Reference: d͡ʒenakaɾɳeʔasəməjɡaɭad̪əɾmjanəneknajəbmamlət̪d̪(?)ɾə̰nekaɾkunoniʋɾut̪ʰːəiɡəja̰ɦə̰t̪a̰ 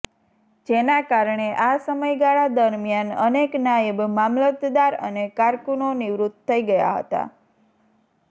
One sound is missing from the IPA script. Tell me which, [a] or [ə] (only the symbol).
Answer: a